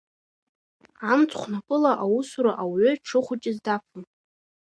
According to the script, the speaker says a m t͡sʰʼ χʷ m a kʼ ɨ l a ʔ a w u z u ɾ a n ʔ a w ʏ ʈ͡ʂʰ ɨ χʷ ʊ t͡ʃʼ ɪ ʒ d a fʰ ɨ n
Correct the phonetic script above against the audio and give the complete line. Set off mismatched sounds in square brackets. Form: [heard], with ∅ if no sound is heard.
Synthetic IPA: a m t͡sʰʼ χʷ [n] a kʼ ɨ l a ʔ a w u [s] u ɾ a [∅] ʔ a w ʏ ʈ͡ʂʰ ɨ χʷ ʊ t͡ʃʼ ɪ [z] d a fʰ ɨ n